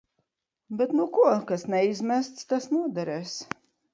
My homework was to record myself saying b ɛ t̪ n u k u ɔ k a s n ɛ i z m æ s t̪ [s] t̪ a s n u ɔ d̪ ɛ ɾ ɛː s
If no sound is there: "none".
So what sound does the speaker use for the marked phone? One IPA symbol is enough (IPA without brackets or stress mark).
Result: s